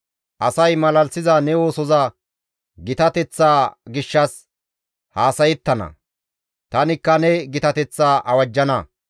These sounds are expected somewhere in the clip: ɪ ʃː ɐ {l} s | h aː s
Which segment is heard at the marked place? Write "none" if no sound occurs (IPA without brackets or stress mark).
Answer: none